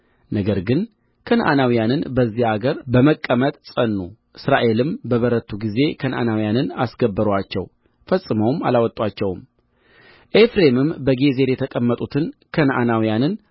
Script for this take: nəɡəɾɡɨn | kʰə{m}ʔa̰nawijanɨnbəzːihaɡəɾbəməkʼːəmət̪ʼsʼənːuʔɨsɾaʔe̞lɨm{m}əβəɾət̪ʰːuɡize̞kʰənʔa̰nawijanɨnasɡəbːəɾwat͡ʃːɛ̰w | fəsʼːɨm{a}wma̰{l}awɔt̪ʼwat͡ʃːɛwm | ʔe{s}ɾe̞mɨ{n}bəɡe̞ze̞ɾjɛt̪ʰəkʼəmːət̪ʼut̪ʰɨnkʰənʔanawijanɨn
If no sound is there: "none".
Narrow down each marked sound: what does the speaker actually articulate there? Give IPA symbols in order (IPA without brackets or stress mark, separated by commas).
n, b, ə, l, f, m